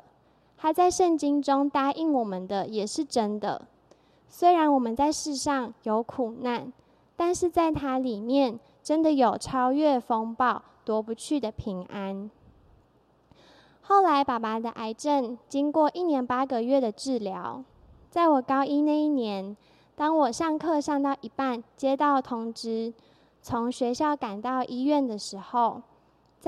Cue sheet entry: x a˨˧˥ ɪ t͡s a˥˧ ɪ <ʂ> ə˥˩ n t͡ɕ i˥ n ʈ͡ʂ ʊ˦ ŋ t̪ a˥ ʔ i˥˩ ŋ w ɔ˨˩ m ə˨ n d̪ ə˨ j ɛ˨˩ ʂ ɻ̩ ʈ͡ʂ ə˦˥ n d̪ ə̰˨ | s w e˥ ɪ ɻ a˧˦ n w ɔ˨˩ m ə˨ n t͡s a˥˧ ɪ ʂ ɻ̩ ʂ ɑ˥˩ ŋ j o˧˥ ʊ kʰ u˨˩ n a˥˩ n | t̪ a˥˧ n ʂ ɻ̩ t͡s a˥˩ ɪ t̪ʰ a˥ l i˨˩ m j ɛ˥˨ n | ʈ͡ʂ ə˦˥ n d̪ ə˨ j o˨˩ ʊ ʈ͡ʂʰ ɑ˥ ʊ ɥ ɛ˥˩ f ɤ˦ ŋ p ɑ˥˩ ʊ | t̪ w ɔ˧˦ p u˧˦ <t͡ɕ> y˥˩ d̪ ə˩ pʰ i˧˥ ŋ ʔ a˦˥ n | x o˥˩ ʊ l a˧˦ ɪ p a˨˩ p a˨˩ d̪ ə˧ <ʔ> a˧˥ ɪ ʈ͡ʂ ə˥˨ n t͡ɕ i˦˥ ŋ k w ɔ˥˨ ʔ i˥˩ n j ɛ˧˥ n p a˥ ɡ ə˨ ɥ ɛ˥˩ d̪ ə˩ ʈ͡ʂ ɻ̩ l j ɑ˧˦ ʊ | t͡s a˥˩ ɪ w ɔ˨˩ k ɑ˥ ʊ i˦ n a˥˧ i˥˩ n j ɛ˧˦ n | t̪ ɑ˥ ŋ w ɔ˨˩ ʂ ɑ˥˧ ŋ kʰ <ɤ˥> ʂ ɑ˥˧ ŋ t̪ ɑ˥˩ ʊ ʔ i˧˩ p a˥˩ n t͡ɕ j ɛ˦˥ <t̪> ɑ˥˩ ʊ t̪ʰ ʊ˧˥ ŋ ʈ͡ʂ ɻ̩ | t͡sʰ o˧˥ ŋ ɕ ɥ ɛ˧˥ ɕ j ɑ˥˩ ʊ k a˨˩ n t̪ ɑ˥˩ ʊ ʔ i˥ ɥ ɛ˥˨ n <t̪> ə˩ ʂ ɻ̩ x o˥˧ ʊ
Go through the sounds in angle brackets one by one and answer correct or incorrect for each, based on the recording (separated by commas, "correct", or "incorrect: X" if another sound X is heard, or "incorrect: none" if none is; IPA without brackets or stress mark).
correct, incorrect: t͡ɕʰ, correct, incorrect: ɤ˥˧, correct, incorrect: d̪